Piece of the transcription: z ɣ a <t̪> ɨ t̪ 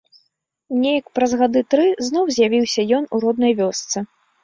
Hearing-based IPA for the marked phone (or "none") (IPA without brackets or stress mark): d̪